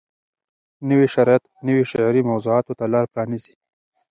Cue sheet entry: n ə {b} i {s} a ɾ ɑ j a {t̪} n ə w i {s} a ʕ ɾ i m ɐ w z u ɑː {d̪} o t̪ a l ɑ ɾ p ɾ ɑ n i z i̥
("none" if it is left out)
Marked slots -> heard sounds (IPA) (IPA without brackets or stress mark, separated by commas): w, ʃ, t̪, ʃ, t̪